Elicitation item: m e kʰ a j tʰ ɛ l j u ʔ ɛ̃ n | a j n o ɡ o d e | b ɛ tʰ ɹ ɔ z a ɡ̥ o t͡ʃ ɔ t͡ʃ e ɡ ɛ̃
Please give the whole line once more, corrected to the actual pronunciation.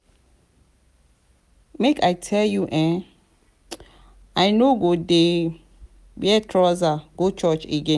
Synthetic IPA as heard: m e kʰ a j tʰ ɛ l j u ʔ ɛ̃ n | a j n o ɡ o d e | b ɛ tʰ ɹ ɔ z a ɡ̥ o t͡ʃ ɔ t͡ʃ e ɡ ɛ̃

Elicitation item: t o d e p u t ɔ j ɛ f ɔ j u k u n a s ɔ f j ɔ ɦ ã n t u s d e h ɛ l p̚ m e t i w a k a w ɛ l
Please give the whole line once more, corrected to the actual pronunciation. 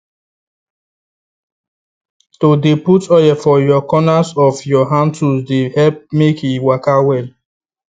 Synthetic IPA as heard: t o d e p u t ɔ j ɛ f ɔ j ɔ k ɔ n a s ɔ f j ɔ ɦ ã n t u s d e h ɛ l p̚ m e k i w a k a w ɛ l

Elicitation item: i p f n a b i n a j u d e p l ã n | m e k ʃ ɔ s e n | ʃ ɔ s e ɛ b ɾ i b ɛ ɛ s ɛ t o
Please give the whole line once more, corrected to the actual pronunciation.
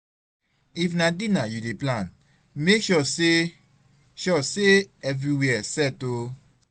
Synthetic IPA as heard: i f n a d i n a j u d e p l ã n | m e k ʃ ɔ s e | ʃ ɔ s e ɛ v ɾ i w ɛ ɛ s ɛ t o

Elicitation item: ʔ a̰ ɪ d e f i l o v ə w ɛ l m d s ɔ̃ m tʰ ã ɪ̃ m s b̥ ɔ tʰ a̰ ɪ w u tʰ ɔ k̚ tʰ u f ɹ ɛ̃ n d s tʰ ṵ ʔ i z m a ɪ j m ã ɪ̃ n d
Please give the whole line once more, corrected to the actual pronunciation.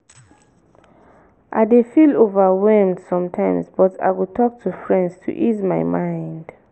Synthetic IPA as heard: ʔ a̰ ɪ d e f i l o v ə w ɛ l m d s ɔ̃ m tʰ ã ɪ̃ m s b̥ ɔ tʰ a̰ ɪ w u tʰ ɔ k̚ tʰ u f ɹ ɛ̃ n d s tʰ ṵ ʔ i z m a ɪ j m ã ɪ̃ n d

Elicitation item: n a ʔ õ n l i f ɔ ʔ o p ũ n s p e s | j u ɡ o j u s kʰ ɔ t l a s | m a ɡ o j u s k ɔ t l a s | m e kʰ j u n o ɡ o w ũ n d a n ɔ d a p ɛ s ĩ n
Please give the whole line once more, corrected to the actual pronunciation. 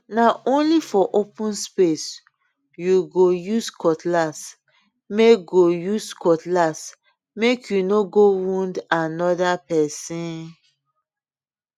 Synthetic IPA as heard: n a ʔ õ n l i f ɔ ʔ o p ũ n s p e s | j u ɡ o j u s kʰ ɔ t l a s | m e ɡ o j u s k ɔ t l a s | m e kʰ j u n o ɡ o w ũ n d a n ɔ d a p ɛ s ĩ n

